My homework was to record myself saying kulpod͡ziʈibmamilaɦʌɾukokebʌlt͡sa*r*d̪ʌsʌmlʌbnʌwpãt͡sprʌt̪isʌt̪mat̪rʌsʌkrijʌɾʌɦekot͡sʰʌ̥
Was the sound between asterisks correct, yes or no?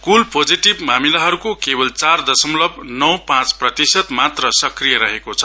yes